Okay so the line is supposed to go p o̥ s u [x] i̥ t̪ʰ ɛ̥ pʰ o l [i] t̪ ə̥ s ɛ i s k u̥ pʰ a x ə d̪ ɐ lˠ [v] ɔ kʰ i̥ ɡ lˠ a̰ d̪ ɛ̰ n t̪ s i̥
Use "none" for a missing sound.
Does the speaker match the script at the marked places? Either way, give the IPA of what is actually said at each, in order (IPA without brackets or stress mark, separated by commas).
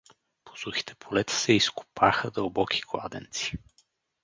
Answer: x, ɛ, b